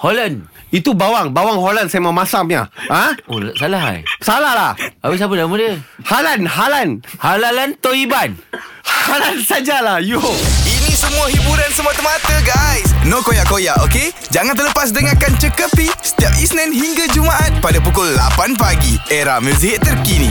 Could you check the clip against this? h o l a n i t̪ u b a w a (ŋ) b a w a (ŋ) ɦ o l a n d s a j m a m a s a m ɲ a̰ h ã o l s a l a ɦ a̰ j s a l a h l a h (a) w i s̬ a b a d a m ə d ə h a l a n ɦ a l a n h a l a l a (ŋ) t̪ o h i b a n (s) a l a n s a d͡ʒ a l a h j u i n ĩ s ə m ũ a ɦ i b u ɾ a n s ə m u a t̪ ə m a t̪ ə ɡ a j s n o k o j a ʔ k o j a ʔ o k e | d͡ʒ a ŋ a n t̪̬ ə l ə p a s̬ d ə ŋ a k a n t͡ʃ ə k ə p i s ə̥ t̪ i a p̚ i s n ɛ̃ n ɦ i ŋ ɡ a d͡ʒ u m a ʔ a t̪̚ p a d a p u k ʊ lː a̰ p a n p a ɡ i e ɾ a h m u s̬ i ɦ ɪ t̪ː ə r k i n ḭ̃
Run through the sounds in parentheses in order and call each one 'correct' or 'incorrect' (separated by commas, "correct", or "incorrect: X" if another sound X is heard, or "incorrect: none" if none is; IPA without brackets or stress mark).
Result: correct, correct, correct, incorrect: n, incorrect: h